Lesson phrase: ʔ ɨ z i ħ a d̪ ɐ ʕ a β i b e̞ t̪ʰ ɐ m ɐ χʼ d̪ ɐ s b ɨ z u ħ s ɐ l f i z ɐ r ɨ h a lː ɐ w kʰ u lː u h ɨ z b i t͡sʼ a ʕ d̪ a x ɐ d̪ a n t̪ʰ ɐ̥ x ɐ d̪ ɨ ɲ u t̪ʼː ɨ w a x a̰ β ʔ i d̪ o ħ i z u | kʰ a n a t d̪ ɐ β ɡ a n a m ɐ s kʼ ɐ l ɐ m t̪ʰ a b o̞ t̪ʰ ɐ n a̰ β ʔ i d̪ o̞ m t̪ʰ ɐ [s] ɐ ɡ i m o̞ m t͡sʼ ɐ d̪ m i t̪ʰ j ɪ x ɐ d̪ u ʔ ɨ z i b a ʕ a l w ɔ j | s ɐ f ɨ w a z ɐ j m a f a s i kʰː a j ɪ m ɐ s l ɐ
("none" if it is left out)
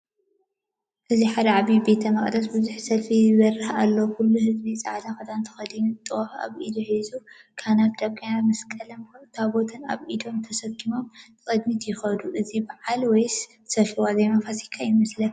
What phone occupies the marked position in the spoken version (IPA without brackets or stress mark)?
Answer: s